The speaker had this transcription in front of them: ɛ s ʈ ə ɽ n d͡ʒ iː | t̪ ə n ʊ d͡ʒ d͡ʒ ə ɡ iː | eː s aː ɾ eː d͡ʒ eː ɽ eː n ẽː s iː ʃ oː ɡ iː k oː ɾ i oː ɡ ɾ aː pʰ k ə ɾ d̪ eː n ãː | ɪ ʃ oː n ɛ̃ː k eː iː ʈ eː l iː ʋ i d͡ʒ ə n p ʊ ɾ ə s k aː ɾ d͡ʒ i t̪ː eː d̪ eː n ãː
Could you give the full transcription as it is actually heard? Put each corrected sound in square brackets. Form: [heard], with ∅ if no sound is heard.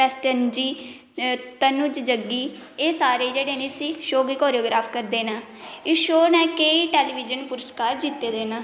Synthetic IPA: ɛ s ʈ ə [∅] n d͡ʒ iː | t̪ ə n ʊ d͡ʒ d͡ʒ ə ɡ iː | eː s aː ɾ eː d͡ʒ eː ɽ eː n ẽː s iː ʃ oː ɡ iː k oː ɾ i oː ɡ ɾ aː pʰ k ə ɾ d̪ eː n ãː | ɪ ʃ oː n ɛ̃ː k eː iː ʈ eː l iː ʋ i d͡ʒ ə n p ʊ ɾ ə s k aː ɾ d͡ʒ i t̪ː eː d̪ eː n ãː